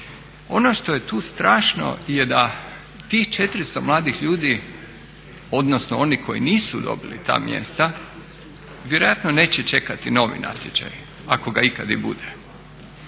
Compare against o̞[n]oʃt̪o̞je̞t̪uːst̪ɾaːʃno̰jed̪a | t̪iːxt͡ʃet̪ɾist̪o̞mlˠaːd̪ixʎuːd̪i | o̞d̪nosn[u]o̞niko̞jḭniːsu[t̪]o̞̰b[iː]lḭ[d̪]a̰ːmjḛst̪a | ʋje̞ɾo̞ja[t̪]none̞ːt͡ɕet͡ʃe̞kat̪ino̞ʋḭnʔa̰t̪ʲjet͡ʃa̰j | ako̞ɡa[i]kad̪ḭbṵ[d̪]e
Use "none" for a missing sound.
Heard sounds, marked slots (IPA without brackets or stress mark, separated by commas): n, o, d̪, i, t̪, t̪, i, d̪